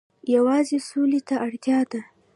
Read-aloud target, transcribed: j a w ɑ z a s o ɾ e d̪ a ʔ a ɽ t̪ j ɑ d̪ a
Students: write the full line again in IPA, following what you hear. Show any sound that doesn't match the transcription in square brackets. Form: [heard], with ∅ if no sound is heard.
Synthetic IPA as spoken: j a w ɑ z [e] s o [l] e [t̪] a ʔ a ɽ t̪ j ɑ d̪ a